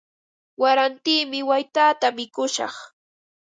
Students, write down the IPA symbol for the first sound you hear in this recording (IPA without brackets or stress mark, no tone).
w